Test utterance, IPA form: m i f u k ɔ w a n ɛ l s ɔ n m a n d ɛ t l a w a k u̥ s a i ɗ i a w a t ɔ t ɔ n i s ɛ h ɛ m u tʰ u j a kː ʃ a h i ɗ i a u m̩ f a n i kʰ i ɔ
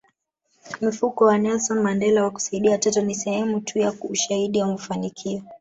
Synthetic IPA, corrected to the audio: m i f u k ɔ w a n ɛ l s ɔ n m a n d ɛ l a w a k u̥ s a i ɗ i a w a t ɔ t ɔ n i s ɛ h ɛ m u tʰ u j a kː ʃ a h i ɗ i a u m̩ f a n i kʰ i ɔ